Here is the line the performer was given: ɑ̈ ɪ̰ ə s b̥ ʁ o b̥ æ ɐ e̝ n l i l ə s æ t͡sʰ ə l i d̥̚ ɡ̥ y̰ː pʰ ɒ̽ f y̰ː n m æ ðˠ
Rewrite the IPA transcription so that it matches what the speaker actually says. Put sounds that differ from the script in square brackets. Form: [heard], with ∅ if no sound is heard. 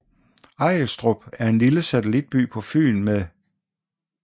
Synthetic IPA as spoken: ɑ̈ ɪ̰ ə s [d̥] ʁ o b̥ æ ɐ e̝ n l i l ə s æ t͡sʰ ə l i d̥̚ [b̥] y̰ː pʰ ɒ̽ f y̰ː n m [e] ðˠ

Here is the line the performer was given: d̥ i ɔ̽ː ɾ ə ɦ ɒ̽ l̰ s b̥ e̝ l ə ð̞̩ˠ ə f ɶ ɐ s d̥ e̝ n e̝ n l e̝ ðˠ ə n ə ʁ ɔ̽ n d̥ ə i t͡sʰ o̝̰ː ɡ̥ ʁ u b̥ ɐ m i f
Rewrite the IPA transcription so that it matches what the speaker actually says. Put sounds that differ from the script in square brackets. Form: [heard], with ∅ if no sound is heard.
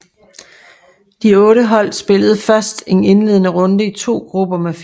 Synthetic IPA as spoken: d̥ i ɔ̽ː ɾ ə ɦ ɒ̽ l̰ s b̥ e̝ l ə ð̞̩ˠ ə f ɶ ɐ s d̥ e̝ n e̝ n l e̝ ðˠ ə n ə ʁ ɔ̽ n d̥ ə i t͡sʰ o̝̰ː ɡ̥ ʁ u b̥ ɐ m [e] f

